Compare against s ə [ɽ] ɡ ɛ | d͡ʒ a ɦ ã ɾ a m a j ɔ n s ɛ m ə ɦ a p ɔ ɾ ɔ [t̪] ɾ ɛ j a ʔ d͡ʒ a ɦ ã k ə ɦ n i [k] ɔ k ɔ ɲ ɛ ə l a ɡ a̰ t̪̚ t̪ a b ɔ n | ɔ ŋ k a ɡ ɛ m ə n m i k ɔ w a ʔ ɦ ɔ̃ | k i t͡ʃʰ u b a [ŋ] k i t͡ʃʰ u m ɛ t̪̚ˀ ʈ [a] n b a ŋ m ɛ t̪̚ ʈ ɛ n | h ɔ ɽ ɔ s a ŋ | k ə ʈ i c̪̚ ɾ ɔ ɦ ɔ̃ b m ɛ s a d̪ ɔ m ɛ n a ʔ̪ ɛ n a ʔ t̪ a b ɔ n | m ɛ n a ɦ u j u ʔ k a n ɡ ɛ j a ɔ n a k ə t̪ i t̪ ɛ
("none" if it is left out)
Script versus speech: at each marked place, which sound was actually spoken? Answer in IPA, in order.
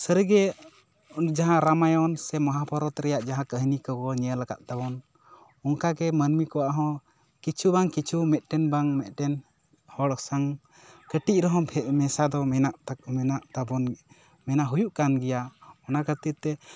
ɾ, t̪, k, ŋ, ɛ

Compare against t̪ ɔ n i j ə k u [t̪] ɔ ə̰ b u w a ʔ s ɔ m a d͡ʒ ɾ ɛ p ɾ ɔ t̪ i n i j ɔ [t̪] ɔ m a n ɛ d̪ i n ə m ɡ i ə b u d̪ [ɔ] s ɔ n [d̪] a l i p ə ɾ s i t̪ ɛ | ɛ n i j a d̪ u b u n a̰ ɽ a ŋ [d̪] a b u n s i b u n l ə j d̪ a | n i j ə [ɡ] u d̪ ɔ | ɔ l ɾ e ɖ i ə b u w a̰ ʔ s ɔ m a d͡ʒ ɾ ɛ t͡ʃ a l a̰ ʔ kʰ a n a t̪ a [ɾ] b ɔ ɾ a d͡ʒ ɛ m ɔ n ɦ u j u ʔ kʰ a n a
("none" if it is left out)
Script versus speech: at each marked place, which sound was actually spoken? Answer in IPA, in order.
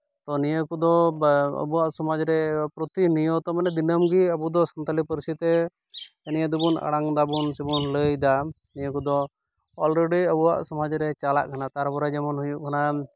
d̪, t̪, ɔ, t̪, d̪, k, ɾ

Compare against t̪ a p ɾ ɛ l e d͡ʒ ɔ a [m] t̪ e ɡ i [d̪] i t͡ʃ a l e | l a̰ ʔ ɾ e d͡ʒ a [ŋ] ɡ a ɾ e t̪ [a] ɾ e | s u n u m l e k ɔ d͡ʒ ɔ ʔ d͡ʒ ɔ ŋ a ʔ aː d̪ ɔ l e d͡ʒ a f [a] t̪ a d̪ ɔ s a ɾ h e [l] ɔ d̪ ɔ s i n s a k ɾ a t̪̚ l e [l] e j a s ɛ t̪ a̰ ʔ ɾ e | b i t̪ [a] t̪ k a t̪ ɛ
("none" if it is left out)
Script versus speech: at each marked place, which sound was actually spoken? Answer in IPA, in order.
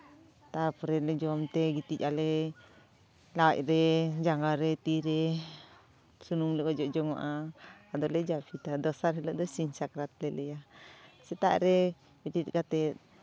m, t̪, ŋ, i, i, l, l, i

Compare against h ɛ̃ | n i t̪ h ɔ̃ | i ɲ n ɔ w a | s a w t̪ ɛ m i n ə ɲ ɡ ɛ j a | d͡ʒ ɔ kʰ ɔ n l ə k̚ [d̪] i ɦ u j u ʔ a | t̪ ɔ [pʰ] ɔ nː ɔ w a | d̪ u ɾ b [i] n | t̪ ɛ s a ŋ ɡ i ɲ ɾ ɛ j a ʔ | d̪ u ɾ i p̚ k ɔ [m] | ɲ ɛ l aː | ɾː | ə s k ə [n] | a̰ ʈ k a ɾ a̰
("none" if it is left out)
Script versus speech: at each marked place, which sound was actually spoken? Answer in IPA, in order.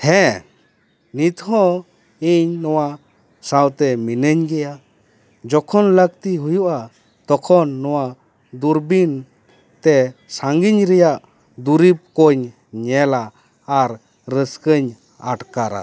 t̪, kʰ, i, ɲ, ɲ

